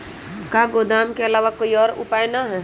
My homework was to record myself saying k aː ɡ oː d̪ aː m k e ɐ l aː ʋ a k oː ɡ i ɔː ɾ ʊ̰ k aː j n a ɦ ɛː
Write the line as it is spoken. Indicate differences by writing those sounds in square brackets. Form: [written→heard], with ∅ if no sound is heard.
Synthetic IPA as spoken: k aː ɡ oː d̪ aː m k e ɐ l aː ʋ a k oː [ɡ→∅] i ɔː ɾ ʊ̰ [k→p] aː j n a ɦ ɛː